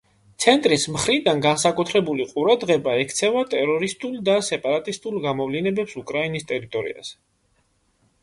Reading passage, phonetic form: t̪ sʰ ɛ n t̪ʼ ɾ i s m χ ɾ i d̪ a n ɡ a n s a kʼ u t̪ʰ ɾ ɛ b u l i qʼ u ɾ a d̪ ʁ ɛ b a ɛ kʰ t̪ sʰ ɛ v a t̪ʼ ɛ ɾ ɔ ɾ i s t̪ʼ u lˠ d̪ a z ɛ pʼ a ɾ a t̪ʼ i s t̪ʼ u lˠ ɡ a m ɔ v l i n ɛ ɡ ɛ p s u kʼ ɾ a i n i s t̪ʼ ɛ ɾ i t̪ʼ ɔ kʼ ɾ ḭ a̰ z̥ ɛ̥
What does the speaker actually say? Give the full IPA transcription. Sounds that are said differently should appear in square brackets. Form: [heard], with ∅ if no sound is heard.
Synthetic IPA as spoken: t̪ sʰ ɛ n t̪ʼ ɾ i s m χ ɾ i d̪ a n ɡ a n s a kʼ u t̪ʰ ɾ ɛ b u l i qʼ u ɾ a d̪ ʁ ɛ b a ɛ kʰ t̪ sʰ ɛ v a t̪ʼ ɛ ɾ ɔ ɾ i s t̪ʼ u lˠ d̪ a [s] ɛ pʼ a ɾ a t̪ʼ i s t̪ʼ u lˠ ɡ a m ɔ v l i n ɛ [b] ɛ p s u kʼ ɾ a i n i s t̪ʼ ɛ ɾ i t̪ʼ ɔ [∅] ɾ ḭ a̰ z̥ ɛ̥